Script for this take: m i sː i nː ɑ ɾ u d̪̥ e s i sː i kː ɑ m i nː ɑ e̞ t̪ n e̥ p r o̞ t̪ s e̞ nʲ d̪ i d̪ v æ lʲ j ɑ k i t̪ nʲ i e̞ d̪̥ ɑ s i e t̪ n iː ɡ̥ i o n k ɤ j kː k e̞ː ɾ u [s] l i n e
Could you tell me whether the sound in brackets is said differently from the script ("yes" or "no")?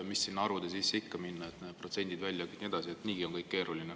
yes